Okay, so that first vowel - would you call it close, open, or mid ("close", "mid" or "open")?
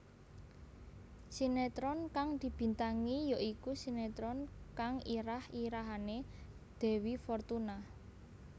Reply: close